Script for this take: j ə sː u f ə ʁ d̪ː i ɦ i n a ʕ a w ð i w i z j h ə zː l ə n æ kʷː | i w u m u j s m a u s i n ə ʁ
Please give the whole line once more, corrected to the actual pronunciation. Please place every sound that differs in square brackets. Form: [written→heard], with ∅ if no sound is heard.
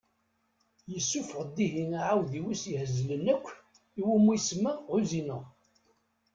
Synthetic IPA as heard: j ə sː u f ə ʁ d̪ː i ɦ i n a ʕ a w ð i w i [z→s] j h ə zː l ə n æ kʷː | i w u m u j s m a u [s→z] i n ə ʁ